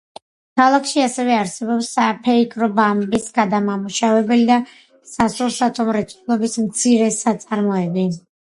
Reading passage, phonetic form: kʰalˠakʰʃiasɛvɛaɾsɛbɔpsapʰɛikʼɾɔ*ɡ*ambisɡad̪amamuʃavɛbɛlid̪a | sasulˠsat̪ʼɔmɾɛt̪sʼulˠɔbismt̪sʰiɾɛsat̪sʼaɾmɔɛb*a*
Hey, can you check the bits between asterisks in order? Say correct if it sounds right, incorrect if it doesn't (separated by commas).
incorrect, incorrect